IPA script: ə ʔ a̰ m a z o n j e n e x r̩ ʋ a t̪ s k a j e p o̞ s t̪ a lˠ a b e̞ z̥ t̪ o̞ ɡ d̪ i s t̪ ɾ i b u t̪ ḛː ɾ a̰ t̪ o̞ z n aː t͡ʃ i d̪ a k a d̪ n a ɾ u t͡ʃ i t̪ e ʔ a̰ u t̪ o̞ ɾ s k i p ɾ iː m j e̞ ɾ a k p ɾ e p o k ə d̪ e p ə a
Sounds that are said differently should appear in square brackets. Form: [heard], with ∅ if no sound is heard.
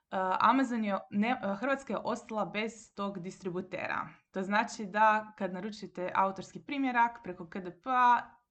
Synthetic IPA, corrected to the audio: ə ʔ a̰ m a z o n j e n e x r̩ ʋ a t̪ s k a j e [ʔ] o̞ s t̪ a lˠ a b e̞ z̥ t̪ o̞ ɡ d̪ i s t̪ ɾ i b u t̪ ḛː ɾ a̰ t̪ o̞ z n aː t͡ʃ i d̪ a k a d̪ n a ɾ u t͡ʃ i t̪ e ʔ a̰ u t̪ o̞ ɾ s k i p ɾ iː m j e̞ ɾ a k p ɾ e [k] o k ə d̪ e p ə a